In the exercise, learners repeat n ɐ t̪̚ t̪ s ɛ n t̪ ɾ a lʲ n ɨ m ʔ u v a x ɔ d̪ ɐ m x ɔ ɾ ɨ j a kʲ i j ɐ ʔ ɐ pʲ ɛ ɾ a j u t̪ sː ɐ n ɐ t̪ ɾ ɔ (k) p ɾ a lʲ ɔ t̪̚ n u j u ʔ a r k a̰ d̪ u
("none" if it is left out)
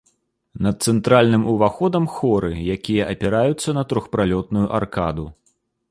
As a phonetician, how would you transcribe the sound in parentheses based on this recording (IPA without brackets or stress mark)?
x